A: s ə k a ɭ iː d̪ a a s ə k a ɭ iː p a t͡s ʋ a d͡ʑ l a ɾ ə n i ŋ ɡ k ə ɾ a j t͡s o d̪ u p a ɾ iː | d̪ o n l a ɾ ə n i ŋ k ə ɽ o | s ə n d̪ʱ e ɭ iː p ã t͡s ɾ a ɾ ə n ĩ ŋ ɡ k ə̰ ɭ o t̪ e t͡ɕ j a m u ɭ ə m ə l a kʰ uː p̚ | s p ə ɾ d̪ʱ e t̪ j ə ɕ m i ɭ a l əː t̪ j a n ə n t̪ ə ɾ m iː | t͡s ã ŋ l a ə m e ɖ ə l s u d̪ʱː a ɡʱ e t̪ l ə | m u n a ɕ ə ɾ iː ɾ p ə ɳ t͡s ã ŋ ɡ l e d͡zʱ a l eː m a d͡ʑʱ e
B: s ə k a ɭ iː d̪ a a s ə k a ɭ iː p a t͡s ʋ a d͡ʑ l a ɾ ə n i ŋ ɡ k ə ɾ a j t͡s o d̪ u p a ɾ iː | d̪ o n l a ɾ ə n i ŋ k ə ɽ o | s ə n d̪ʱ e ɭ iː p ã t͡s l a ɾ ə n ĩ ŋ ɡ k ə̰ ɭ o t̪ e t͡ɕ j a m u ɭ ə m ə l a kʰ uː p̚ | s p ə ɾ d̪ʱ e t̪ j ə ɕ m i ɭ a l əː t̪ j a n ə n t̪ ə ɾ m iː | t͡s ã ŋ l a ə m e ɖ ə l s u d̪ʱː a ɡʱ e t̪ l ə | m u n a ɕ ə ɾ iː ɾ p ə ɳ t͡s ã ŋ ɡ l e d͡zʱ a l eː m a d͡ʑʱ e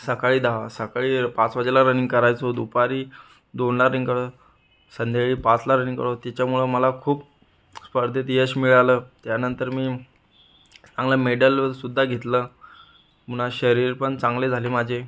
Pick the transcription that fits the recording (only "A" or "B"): B